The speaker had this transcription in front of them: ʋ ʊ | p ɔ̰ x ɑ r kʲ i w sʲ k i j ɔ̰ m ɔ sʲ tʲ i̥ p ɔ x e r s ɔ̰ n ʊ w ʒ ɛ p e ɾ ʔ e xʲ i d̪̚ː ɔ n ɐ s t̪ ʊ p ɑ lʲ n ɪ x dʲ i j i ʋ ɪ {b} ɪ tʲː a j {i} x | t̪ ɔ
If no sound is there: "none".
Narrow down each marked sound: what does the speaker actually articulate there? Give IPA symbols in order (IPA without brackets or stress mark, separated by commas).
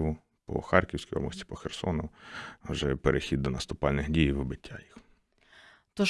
b, i